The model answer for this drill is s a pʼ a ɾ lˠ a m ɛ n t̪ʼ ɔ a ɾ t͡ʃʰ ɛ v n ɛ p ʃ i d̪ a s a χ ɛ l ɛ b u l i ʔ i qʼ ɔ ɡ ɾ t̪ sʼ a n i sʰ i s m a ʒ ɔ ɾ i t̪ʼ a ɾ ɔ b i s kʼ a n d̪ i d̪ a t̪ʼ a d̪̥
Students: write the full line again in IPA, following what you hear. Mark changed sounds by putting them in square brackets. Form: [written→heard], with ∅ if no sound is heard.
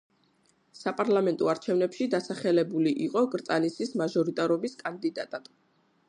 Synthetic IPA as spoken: s a pʼ a ɾ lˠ a m ɛ n t̪ʼ ɔ a ɾ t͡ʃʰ ɛ v n ɛ p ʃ i d̪ a s a χ ɛ l ɛ b u l i ʔ i qʼ ɔ ɡ ɾ t̪ sʼ a n i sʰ i s m a ʒ ɔ ɾ i t̪ʼ a ɾ ɔ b i s kʼ a n d̪ i d̪ a t̪ʼ a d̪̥